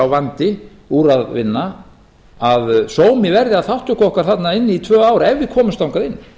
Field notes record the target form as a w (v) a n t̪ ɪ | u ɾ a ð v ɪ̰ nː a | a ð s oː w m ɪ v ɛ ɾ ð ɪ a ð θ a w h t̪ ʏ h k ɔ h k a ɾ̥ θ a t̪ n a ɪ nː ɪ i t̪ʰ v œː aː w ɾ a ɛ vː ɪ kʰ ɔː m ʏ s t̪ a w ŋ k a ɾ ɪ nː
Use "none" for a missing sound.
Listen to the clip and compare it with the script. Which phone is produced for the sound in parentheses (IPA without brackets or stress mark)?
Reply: v